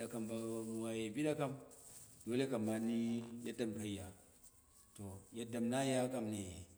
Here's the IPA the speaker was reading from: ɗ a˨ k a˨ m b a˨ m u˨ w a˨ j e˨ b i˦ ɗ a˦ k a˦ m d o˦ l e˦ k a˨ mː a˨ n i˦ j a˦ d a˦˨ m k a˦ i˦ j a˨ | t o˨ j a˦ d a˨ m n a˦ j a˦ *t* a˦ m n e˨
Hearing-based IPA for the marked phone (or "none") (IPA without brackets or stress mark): k